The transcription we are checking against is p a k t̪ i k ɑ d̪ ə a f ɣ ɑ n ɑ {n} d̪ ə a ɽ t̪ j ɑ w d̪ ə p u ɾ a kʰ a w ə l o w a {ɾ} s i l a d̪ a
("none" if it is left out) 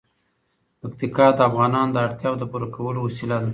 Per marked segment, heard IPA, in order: n, none

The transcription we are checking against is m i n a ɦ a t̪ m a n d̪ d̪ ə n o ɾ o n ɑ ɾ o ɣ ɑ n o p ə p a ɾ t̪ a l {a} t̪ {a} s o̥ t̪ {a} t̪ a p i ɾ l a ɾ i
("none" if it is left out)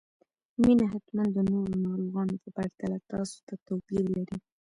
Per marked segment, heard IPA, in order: a, ɑ, a

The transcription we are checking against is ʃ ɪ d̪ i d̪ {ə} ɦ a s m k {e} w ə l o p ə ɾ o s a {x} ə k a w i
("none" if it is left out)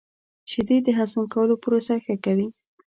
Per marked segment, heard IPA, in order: ə, a, x

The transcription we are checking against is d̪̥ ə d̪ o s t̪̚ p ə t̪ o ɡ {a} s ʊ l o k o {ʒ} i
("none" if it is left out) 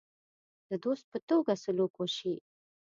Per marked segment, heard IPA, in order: a, ʃ

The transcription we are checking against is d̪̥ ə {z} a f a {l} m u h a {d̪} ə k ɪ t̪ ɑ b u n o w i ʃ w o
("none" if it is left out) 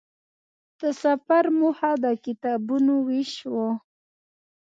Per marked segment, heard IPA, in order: s, ɾ, d̪

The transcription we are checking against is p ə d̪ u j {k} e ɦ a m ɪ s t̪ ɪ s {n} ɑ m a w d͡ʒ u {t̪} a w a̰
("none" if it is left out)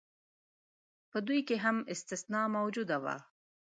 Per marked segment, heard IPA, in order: k, n, d̪

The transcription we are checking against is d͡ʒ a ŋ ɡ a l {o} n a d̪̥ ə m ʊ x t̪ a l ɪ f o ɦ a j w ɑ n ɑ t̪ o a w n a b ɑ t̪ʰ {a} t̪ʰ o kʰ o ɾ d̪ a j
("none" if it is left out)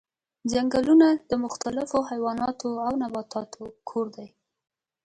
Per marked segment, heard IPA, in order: u, ɑ

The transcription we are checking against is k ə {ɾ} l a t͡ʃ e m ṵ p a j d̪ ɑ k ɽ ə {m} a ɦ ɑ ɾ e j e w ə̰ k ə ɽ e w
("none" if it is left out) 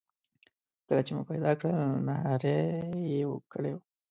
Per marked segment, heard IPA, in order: none, n

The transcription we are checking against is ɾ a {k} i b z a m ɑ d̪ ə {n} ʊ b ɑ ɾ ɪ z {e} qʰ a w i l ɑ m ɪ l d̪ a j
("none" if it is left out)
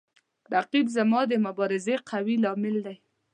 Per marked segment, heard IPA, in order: q, m, e

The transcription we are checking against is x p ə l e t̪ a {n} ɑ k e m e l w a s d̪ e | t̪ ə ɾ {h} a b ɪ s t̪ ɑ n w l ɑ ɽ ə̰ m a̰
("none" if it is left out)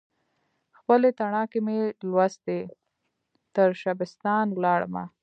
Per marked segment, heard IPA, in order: ɳ, ʃ

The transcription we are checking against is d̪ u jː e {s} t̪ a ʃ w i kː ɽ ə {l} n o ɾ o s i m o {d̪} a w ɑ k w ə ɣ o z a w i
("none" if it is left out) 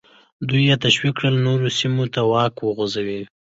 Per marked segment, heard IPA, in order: none, l, t̪

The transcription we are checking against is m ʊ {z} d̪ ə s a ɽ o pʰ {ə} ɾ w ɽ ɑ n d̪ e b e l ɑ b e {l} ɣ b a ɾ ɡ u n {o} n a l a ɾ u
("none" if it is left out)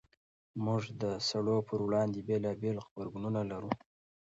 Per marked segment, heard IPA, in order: ʐ, ə, l, u

